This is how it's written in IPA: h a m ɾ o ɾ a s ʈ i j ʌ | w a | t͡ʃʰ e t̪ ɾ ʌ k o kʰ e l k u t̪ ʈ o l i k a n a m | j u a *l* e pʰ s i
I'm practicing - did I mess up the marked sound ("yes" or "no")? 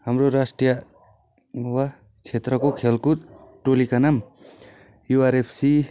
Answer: yes